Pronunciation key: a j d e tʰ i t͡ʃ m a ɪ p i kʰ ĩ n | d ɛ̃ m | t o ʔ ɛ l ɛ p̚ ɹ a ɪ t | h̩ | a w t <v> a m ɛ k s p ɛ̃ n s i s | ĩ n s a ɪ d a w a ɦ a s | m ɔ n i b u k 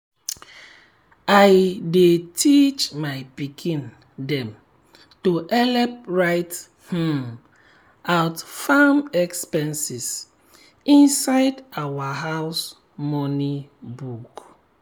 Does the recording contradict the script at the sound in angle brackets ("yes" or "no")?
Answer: yes